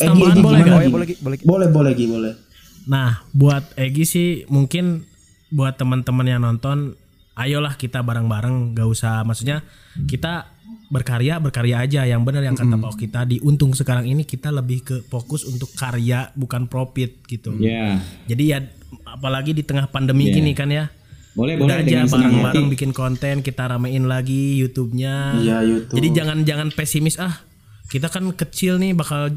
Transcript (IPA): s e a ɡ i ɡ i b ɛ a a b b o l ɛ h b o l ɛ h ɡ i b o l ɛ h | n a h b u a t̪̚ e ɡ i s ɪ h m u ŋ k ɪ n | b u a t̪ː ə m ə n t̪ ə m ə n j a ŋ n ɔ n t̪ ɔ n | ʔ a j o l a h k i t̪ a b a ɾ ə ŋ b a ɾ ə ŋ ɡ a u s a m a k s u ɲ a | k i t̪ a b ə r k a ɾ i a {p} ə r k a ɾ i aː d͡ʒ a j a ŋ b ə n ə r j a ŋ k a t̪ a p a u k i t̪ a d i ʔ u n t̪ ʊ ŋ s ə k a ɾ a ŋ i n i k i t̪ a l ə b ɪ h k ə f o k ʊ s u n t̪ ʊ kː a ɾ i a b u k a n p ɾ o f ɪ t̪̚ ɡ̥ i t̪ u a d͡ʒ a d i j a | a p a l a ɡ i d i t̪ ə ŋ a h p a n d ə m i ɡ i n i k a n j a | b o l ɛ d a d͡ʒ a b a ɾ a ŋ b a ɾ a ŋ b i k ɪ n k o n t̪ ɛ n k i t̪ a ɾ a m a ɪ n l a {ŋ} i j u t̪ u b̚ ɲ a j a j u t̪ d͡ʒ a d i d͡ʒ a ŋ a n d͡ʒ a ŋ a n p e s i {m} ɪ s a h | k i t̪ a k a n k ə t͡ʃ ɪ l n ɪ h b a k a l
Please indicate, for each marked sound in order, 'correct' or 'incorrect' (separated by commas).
incorrect, incorrect, correct